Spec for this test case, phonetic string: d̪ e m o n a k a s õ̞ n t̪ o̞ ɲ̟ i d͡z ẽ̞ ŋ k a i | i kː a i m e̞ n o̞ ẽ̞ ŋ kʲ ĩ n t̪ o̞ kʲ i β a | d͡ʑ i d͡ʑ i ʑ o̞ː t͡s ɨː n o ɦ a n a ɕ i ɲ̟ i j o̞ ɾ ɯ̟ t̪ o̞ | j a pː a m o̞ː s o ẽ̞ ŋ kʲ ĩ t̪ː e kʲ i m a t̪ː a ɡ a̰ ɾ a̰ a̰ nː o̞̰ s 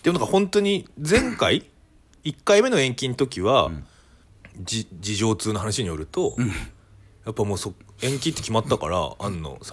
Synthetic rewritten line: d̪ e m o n a k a h õ̞ n t̪ o̞ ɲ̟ i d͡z ẽ̞ ŋ k a i | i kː a i m e̞ n o̞ ẽ̞ ŋ kʲ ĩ n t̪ o̞ kʲ i β a | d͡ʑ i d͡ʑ i ʑ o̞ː t͡s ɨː n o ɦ a n a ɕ i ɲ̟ i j o̞ ɾ ɯ̟ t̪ o̞ | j a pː a m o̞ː s o ẽ̞ ŋ kʲ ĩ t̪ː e kʲ i m a t̪ː a k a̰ ɾ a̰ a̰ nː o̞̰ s